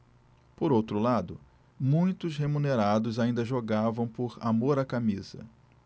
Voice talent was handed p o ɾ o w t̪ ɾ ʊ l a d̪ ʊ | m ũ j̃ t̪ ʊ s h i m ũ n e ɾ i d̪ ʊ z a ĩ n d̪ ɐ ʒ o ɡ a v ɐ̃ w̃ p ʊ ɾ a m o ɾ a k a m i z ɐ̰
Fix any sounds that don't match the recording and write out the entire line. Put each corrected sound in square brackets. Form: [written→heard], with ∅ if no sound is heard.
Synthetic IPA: p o ɾ o w t̪ ɾ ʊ l a d̪ ʊ | m ũ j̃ t̪ ʊ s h [i→e] m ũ n e ɾ [i→a] d̪ ʊ z a ĩ n d̪ ɐ ʒ o ɡ a v ɐ̃ w̃ p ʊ ɾ a m o ɾ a k a m i z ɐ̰

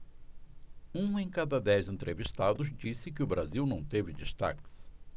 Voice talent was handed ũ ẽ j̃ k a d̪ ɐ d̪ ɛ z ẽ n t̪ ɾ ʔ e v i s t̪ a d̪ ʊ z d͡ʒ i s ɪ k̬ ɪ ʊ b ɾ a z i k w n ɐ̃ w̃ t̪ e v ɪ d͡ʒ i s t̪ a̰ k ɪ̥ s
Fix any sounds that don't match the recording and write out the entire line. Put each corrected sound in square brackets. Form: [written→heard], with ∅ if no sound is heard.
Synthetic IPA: ũ ẽ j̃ k a d̪ ɐ d̪ ɛ z ẽ n t̪ ɾ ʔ e v i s t̪ a d̪ ʊ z d͡ʒ i s ɪ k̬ ɪ ʊ b ɾ a z i [k→∅] w n ɐ̃ w̃ t̪ e v ɪ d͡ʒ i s t̪ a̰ k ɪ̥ s

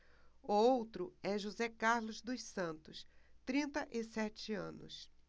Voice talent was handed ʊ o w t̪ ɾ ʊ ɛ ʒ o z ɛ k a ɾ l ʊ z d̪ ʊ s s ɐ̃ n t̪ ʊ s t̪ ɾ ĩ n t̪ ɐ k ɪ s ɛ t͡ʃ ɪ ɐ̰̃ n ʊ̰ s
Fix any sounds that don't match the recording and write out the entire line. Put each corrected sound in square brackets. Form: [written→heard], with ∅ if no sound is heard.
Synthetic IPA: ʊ o w t̪ ɾ ʊ ɛ ʒ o z ɛ k a ɾ l ʊ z d̪ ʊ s s ɐ̃ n t̪ ʊ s t̪ ɾ ĩ n t̪ ɐ [k→ʔ] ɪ s ɛ t͡ʃ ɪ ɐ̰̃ n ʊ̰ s

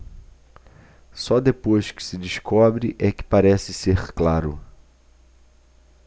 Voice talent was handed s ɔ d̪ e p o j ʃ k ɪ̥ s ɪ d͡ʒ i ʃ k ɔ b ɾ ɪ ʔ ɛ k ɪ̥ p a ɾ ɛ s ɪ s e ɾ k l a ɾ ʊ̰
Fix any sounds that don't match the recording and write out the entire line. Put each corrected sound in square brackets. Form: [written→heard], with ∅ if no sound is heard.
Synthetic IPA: s ɔ d̪ e p o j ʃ k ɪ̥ s ɪ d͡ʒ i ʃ k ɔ b ɾ ɪ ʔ ɛ k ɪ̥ p a ɾ ɛ s ɪ s e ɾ k l a ɾ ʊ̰

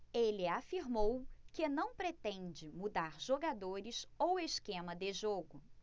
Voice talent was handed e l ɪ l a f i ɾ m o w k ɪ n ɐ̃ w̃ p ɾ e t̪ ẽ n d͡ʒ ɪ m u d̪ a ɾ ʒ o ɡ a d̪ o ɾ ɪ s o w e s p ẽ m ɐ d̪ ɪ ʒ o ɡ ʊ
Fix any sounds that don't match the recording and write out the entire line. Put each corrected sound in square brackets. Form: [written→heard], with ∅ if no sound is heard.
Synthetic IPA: e l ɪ [l→∅] a f i ɾ m o w k ɪ n ɐ̃ w̃ p ɾ e t̪ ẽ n d͡ʒ ɪ m u d̪ a ɾ ʒ o ɡ a d̪ o ɾ ɪ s o w e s [p→k] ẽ m ɐ d̪ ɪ ʒ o ɡ ʊ

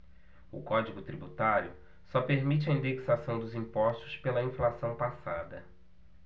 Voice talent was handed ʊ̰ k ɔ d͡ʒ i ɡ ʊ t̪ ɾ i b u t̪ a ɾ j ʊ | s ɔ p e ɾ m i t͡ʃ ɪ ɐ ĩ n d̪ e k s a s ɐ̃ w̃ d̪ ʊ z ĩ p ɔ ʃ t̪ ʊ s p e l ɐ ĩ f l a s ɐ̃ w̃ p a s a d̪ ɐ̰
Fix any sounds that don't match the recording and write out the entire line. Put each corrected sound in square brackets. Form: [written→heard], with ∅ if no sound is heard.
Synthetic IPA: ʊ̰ k ɔ d͡ʒ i ɡ ʊ t̪ ɾ i b u t̪ a ɾ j ʊ | s ɔ p e ɾ m i t͡ʃ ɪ ɐ ĩ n d̪ e k s a s ɐ̃ w̃ d̪ ʊ z ĩ p ɔ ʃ t̪ ʊ s p e l ɐ ĩ f l a s ɐ̃ w̃ p a s a d̪ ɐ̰

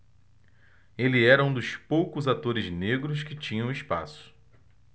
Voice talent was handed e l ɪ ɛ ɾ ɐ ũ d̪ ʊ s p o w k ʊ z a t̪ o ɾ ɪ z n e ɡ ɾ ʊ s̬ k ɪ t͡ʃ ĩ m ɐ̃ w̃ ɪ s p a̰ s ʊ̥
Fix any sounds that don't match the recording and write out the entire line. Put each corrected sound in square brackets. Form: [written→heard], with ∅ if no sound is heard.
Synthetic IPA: e l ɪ ɛ ɾ ɐ ũ d̪ ʊ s p o w k ʊ z a t̪ o ɾ ɪ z n e ɡ ɾ ʊ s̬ k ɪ t͡ʃ ĩ [m→ɲ] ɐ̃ w̃ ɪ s p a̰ s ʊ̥

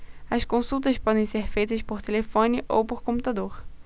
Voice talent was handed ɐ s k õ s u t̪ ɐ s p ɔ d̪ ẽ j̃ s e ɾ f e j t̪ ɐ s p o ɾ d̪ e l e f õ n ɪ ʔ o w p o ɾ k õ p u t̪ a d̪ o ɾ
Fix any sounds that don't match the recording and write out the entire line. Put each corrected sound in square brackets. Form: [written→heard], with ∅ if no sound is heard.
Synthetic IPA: ɐ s k õ s u t̪ ɐ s p ɔ d̪ ẽ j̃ s e ɾ f e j t̪ ɐ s p o ɾ [d̪→t̪] e l e f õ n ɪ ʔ o w p o ɾ k õ p u t̪ a d̪ o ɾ

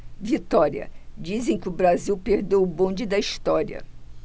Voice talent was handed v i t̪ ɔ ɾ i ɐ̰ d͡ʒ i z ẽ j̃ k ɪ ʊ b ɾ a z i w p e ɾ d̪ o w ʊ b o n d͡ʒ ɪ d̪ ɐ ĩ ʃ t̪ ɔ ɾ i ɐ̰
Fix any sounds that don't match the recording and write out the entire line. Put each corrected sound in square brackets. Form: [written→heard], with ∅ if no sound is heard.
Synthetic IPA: v i t̪ ɔ ɾ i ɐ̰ d͡ʒ i z ẽ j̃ k ɪ ʊ b ɾ a z i w p e ɾ d̪ o w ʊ b [o→õ] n d͡ʒ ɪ d̪ ɐ [ĩ→i] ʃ t̪ ɔ ɾ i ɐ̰

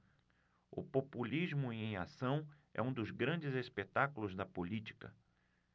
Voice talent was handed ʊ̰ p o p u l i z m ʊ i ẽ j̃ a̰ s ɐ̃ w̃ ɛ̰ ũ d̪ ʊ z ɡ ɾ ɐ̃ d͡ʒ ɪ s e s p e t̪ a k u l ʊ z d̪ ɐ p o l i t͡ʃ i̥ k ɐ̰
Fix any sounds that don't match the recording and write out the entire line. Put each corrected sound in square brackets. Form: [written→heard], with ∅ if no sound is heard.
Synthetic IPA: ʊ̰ p o p u l i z m ʊ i ẽ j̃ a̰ s ɐ̃ w̃ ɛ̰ ũ d̪ ʊ z ɡ ɾ ɐ̃ d͡ʒ ɪ [s→z] e s p e t̪ a k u l ʊ z d̪ ɐ p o l i t͡ʃ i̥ k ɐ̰

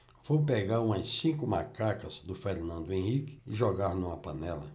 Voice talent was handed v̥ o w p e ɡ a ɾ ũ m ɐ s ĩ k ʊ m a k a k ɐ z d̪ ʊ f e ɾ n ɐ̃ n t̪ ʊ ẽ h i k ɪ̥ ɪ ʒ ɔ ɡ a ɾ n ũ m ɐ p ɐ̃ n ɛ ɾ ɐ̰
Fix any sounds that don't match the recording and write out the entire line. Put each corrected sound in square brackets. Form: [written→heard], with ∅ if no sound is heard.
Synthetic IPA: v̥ o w p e ɡ a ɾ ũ m ɐ s ĩ k ʊ m a k a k ɐ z d̪ ʊ f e ɾ n ɐ̃ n [t̪→d̪] ʊ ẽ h i k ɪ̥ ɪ ʒ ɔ ɡ a ɾ n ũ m ɐ p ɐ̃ n ɛ [ɾ→l] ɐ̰

